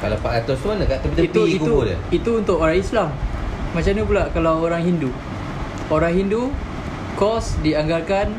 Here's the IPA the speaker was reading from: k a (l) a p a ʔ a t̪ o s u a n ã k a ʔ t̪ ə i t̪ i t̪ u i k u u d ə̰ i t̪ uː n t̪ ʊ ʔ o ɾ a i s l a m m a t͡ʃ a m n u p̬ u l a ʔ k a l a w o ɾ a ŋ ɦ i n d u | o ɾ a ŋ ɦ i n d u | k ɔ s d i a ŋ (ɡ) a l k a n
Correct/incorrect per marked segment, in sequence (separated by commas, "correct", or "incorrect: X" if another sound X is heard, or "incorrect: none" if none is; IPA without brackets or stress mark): correct, correct